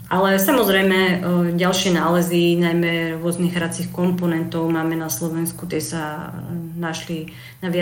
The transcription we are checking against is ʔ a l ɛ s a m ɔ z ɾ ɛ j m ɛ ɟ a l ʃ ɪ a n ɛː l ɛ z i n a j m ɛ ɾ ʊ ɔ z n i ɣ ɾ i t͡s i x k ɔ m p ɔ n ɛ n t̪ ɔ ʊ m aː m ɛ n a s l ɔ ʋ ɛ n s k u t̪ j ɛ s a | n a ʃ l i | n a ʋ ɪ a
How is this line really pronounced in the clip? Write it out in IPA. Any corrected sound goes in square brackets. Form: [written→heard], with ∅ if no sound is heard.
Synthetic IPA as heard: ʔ a l ɛ s a m ɔ z ɾ ɛ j m ɛ ɟ a l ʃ ɪ [a→ɛ] n [ɛː→aː] l ɛ z i n a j m ɛ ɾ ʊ ɔ z n i ɣ ɾ [i→a] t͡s i x k ɔ m p ɔ n ɛ n t̪ ɔ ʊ m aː m ɛ n a s l ɔ ʋ ɛ n s k u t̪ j ɛ s a | n a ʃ l i | n a ʋ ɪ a